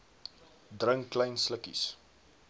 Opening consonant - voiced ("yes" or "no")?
yes